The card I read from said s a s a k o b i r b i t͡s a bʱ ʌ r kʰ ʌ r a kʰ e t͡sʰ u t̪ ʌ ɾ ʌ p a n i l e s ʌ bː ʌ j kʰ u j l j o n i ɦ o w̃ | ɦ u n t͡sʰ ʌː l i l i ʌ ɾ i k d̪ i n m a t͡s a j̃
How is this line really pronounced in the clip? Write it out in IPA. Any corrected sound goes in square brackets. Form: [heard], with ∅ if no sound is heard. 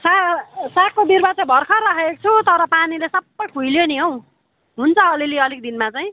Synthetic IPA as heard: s a s a k o b i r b [a] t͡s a bʱ ʌ r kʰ ʌ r a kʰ e t͡sʰ u t̪ ʌ ɾ ʌ p a n i l e s ʌ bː ʌ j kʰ u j l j o n i ɦ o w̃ | ɦ u n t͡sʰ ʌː l i l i ʌ [l] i k d̪ i n m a t͡s a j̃